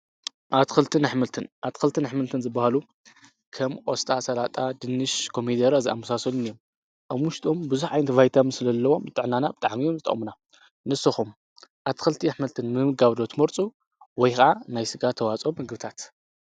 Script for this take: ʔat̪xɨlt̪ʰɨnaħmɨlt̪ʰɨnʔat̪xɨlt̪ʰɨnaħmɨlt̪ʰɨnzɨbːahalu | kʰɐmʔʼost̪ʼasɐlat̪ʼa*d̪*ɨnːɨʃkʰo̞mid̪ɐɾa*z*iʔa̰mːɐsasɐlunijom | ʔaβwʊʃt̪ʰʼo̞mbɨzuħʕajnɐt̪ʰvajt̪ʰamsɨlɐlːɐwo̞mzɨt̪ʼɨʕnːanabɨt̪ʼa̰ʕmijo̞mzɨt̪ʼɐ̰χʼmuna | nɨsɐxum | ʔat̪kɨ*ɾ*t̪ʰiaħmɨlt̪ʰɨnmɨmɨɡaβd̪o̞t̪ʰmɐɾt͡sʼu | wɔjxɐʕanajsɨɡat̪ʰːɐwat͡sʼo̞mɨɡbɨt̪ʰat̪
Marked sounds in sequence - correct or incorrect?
correct, correct, incorrect: l

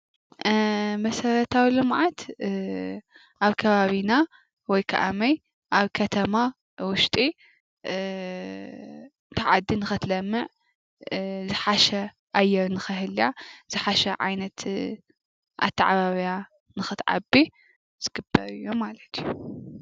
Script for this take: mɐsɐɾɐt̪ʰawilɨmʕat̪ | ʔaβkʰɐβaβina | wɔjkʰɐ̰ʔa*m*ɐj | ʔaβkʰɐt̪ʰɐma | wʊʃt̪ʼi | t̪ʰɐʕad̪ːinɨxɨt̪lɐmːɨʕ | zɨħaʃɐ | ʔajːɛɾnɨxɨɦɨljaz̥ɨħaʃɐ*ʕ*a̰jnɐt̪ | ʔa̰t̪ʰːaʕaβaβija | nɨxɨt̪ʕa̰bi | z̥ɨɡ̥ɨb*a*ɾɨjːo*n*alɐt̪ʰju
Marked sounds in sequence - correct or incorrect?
correct, correct, incorrect: ɐ, incorrect: m

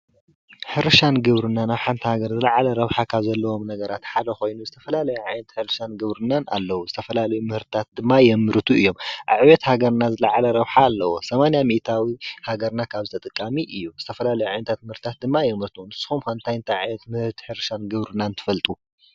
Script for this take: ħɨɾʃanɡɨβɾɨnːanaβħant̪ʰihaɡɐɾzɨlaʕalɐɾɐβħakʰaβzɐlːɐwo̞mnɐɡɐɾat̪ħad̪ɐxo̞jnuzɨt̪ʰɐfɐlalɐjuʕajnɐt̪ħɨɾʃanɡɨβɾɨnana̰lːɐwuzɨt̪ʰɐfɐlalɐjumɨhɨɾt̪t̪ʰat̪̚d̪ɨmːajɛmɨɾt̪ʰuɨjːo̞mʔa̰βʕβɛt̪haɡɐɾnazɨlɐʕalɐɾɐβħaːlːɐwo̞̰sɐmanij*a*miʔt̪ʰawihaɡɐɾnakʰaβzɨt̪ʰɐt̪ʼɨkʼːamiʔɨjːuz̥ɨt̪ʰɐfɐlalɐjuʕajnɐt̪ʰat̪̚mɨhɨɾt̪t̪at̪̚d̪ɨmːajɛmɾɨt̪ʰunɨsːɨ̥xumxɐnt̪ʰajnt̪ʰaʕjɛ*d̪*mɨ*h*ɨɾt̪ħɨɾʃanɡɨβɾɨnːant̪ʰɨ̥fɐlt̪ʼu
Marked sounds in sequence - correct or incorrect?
correct, incorrect: t̪, correct

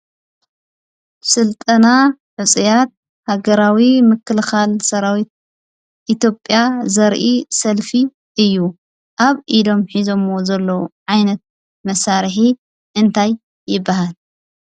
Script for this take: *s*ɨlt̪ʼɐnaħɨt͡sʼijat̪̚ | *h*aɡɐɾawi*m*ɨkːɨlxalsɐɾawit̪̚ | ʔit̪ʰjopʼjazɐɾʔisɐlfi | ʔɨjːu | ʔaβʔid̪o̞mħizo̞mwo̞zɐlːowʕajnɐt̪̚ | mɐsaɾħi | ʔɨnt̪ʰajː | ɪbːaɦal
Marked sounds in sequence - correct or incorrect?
correct, correct, correct

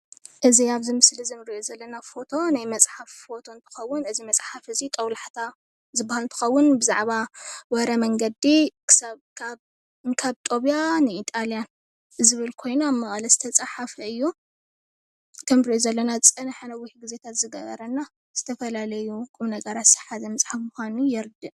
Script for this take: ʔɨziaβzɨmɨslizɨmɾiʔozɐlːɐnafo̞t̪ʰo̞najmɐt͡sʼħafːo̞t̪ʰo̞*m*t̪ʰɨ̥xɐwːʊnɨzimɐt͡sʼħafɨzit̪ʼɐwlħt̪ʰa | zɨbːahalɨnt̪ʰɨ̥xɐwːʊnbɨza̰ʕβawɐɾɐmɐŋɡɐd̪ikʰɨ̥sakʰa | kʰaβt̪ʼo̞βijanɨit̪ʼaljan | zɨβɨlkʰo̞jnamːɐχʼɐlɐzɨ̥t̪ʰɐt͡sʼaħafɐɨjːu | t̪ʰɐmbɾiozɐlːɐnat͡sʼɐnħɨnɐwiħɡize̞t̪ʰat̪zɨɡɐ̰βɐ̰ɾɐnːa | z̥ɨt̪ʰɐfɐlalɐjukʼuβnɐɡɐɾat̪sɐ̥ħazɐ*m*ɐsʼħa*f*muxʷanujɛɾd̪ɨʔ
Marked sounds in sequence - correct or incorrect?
incorrect: n, correct, correct

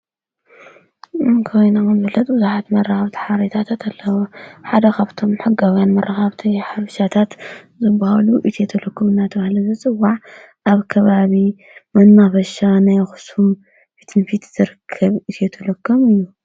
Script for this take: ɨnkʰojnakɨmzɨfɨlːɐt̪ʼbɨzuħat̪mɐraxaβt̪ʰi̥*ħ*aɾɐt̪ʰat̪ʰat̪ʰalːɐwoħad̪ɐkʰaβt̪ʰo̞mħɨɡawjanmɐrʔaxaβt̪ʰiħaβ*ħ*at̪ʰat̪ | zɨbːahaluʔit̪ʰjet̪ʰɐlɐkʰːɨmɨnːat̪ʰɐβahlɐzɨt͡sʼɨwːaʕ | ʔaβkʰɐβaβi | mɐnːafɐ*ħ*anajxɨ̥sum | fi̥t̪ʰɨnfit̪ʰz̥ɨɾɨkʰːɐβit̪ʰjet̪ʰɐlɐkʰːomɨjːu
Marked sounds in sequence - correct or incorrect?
correct, incorrect: ʃ, incorrect: ʃ

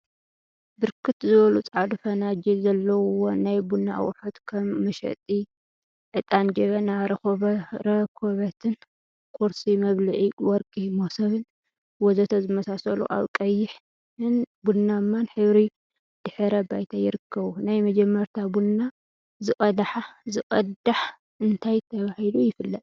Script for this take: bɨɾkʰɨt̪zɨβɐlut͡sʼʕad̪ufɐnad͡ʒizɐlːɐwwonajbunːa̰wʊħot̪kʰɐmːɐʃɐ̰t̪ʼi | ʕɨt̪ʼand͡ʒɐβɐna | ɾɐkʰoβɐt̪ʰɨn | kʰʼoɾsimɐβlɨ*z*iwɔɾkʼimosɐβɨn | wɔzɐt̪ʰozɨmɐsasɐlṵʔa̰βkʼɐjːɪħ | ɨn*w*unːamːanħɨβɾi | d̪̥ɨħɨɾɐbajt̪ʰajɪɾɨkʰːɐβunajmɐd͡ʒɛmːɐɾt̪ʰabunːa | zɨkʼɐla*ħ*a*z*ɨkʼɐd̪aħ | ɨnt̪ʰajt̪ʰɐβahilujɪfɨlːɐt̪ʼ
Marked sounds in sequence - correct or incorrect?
incorrect: ʕ, incorrect: b, correct, correct

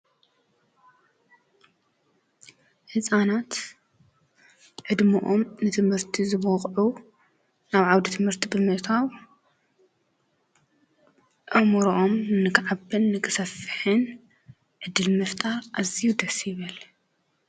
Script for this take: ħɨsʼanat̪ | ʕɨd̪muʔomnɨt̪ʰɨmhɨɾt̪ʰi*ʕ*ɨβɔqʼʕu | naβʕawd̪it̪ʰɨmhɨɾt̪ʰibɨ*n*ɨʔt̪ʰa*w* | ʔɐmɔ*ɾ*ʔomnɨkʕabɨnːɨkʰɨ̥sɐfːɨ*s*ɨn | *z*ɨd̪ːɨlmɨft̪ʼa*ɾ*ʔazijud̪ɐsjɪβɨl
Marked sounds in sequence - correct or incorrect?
incorrect: z, incorrect: m, correct, correct, incorrect: ħ, incorrect: ʕ, correct

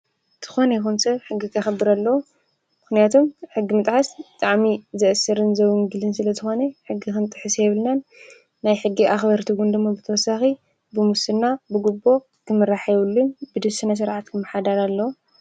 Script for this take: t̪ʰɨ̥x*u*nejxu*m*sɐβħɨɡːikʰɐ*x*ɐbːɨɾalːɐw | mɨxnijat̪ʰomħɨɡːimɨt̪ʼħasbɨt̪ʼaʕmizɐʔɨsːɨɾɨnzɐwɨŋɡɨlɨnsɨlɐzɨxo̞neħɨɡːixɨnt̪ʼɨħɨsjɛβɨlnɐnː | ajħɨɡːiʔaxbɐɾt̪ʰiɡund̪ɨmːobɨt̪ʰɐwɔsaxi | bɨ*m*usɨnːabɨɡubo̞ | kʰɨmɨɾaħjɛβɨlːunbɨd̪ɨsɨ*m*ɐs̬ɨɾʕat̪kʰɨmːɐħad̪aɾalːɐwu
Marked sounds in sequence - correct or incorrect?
incorrect: o, incorrect: n, correct, correct, incorrect: n

